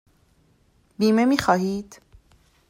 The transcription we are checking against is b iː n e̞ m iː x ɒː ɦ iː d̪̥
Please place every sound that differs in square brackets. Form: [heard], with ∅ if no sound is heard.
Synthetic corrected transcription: b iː [m] e̞ m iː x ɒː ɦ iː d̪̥